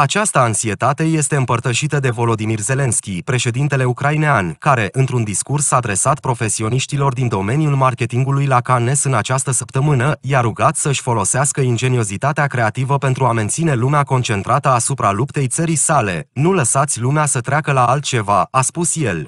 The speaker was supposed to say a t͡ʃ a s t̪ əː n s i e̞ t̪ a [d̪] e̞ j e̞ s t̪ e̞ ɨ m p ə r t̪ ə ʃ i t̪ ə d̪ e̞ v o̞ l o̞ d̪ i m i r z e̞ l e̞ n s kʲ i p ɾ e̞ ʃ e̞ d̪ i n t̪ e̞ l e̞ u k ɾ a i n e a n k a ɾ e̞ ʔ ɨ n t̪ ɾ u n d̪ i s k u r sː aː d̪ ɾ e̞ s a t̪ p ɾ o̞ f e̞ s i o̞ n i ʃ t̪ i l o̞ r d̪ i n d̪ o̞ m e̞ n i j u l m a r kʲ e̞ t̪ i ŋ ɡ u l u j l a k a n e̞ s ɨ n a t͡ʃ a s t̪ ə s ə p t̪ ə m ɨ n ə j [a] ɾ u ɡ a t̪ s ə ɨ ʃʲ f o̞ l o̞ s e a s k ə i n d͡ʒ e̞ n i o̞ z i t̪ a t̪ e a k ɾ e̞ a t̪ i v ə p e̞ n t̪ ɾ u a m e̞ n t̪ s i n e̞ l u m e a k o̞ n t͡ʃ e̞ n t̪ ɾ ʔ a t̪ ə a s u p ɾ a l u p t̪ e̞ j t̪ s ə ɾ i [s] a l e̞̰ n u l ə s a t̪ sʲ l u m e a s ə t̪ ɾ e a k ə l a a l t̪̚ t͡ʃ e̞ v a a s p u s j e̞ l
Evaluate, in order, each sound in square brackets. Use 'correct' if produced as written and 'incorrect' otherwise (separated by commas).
incorrect, correct, correct